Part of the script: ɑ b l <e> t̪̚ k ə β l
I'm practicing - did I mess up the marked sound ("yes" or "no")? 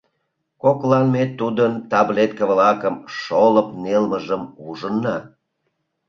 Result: no